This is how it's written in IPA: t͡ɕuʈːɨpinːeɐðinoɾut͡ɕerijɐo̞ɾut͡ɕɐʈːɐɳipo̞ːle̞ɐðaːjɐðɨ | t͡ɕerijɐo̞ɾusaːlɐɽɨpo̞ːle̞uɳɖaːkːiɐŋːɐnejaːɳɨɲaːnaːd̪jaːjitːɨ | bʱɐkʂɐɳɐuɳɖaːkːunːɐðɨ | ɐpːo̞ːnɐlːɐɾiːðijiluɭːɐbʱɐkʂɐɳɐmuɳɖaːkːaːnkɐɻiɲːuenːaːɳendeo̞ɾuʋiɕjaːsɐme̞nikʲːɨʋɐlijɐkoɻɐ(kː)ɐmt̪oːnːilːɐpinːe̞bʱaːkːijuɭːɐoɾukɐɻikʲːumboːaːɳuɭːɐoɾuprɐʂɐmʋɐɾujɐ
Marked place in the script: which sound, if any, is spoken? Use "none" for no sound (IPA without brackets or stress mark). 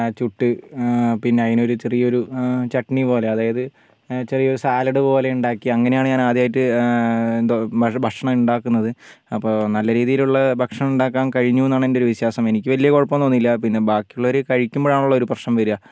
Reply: pː